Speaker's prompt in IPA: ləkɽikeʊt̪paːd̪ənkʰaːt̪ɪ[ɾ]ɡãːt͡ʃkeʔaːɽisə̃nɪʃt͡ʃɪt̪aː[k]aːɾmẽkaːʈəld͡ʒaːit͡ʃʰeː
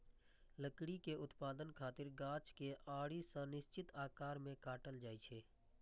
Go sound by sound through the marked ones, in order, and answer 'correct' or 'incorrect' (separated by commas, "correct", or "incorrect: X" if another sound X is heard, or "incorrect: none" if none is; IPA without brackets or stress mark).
correct, correct